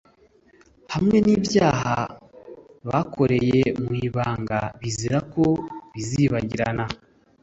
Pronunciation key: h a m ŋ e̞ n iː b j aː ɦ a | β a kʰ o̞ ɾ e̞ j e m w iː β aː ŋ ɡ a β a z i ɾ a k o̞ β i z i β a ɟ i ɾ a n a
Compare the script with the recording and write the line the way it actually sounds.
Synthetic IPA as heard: h a m ŋ e̞ n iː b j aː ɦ a | β a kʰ o̞ ɾ e̞ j e m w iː β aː ŋ ɡ a β i z i ɾ a k o̞ β i z i β a ɟ i ɾ a n a